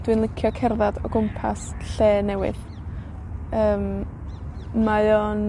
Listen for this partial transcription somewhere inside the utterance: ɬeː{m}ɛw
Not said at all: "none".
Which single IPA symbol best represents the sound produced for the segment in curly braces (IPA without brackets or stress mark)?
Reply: n